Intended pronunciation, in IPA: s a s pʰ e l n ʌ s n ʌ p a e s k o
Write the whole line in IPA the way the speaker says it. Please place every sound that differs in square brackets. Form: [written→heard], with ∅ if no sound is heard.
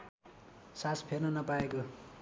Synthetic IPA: s a s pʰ e [l→r] n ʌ [s→∅] n ʌ p a e [s→∅] k o